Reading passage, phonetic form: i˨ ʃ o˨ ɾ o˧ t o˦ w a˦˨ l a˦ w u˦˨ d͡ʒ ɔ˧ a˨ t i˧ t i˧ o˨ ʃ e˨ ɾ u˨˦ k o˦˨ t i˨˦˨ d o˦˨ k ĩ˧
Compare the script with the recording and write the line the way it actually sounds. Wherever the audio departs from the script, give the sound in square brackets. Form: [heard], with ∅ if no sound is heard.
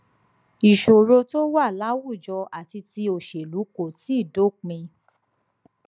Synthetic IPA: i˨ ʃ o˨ ɾ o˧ t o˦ w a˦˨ l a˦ w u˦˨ d͡ʒ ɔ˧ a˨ t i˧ t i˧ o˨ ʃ e˨ [l] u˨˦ k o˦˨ t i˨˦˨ d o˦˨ [k͡p] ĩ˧